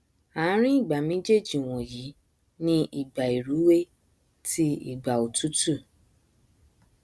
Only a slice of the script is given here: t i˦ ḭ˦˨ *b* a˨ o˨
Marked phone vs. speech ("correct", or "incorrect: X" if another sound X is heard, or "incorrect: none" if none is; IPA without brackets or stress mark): incorrect: ɡ͡b